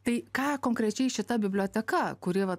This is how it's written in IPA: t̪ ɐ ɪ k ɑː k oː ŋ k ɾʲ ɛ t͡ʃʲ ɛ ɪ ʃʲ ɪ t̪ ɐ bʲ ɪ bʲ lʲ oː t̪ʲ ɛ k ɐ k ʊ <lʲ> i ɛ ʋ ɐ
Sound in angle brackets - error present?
yes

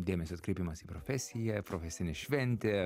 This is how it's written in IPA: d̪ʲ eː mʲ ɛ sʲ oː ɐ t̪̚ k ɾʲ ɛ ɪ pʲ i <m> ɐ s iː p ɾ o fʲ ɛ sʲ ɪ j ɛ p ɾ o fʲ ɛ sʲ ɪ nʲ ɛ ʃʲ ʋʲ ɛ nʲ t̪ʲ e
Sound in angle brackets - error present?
no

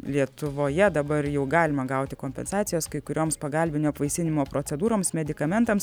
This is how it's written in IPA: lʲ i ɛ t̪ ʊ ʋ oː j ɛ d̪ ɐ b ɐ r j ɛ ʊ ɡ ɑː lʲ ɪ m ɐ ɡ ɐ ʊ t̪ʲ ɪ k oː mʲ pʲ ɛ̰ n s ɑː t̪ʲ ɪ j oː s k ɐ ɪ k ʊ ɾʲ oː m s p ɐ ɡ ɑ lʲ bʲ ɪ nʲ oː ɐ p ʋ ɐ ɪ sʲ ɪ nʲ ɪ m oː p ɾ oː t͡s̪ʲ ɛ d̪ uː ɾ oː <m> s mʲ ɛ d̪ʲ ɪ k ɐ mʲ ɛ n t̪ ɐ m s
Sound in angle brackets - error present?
no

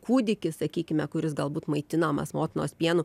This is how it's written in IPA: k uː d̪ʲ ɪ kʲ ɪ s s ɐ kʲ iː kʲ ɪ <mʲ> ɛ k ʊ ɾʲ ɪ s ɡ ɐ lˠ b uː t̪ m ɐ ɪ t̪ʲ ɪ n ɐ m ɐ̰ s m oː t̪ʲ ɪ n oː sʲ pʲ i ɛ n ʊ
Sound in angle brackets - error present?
no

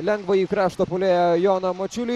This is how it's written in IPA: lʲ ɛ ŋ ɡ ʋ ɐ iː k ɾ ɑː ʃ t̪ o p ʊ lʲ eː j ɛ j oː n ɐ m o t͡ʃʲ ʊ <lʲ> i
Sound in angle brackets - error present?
no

